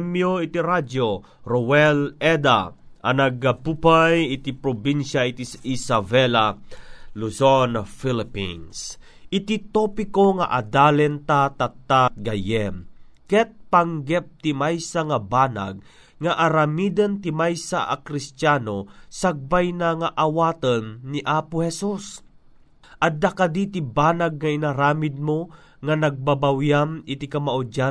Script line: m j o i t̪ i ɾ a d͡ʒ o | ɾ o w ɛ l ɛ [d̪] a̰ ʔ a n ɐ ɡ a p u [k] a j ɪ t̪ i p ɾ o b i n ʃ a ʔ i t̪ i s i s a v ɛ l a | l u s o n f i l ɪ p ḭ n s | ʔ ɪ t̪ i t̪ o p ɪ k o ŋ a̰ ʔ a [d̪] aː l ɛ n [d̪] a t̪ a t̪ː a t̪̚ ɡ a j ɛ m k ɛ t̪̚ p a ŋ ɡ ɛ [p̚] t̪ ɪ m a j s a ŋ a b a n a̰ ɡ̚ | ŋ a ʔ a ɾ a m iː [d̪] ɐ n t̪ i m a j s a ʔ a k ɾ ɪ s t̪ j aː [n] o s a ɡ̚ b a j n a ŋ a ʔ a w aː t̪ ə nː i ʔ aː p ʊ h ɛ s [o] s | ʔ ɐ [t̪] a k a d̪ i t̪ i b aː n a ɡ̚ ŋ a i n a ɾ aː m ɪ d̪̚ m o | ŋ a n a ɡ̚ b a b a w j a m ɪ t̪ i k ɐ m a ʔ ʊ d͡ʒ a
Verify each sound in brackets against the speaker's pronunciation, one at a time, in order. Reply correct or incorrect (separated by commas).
correct, incorrect, correct, incorrect, correct, correct, correct, incorrect, incorrect